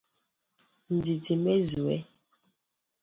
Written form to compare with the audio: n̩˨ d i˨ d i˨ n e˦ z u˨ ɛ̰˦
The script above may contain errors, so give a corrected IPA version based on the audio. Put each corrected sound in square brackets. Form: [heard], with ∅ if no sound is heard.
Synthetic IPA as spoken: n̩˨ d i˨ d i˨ [m] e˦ z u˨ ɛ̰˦